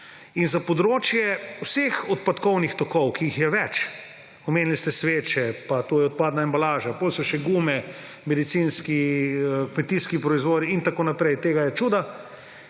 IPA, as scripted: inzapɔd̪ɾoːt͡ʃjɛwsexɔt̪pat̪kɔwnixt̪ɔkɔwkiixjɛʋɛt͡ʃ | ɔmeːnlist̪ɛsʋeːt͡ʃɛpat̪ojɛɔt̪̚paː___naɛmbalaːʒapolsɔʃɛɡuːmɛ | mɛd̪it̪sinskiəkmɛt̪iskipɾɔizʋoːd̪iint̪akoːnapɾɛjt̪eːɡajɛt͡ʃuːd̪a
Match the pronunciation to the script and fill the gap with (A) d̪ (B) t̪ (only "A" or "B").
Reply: A